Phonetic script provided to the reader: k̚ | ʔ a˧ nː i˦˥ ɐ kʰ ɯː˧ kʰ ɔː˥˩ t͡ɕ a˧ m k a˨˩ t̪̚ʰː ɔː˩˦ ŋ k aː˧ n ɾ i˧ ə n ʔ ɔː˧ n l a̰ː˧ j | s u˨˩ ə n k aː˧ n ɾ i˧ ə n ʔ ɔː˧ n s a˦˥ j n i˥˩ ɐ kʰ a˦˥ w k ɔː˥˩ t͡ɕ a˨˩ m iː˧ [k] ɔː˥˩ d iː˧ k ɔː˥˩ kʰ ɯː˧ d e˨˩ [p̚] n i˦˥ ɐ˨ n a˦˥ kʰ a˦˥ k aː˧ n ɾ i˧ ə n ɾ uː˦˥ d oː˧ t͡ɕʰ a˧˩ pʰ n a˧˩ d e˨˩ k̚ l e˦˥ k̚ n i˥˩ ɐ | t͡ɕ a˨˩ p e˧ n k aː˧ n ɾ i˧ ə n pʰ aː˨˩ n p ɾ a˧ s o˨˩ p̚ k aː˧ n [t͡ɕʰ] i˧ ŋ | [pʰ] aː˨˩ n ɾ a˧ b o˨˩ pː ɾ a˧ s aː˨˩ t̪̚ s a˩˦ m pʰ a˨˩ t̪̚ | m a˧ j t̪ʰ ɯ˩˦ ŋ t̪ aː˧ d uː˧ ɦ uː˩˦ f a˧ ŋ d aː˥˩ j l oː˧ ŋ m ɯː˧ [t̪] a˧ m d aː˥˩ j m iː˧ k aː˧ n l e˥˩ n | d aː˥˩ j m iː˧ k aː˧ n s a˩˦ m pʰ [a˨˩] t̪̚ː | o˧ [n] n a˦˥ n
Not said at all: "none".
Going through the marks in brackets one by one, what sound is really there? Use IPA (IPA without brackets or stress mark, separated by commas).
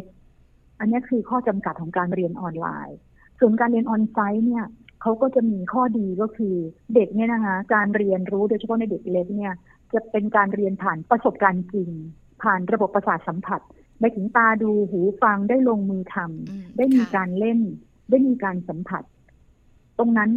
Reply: kʰ, k̚, t͡ɕ, pʰ, t̪ʰ, a˨˩, ŋ